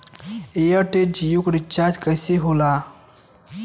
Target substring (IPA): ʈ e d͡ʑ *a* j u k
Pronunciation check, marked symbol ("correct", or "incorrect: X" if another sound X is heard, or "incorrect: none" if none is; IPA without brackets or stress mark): incorrect: i